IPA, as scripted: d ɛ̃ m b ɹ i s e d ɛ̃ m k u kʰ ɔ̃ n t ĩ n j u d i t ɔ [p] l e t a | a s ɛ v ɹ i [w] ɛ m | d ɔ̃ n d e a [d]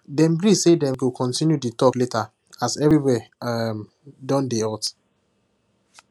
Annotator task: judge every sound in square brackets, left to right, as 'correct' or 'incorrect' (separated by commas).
incorrect, correct, incorrect